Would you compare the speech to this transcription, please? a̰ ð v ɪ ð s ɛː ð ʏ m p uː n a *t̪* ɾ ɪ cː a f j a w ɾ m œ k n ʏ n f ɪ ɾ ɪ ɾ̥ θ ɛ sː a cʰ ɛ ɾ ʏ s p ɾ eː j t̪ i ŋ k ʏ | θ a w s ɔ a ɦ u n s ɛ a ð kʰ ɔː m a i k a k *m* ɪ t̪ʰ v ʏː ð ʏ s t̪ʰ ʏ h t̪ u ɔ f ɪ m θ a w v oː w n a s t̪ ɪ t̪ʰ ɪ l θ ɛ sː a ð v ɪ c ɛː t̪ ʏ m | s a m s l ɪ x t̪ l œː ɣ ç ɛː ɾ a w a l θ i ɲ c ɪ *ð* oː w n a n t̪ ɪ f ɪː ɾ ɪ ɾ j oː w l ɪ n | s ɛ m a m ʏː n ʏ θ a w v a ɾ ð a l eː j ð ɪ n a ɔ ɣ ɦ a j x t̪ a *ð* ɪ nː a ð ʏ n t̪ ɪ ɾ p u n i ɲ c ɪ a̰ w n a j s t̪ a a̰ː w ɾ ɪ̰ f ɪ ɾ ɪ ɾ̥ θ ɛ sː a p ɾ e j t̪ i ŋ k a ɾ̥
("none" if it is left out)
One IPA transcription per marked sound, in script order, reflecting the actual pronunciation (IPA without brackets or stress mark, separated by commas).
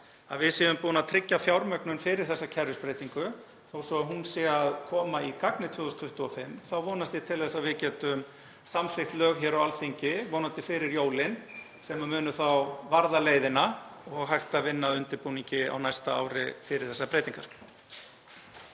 t̪ʰ, n, v, v